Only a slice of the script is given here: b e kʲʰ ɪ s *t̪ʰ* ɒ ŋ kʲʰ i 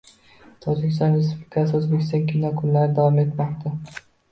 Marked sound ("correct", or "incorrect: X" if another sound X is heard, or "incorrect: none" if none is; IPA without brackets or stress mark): incorrect: t̪